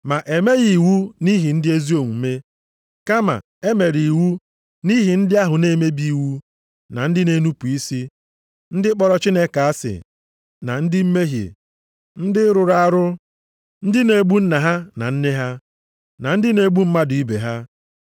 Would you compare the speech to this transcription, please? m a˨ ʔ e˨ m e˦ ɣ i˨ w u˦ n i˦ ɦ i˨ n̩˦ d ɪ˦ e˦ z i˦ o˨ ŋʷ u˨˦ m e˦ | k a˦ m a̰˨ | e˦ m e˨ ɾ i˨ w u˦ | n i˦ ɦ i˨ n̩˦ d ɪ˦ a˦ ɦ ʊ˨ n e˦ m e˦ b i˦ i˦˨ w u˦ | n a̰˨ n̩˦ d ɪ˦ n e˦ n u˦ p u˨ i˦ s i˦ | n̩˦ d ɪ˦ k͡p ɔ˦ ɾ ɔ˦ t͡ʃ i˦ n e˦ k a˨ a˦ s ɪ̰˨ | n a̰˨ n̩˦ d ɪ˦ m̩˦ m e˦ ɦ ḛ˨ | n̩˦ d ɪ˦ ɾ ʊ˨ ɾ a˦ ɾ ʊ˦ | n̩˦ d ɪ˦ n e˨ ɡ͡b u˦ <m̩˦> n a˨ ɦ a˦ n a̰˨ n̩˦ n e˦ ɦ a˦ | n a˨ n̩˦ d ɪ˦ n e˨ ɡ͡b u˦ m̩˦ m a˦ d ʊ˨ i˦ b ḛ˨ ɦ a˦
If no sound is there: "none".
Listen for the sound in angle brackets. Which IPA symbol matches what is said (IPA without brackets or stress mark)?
n̩˦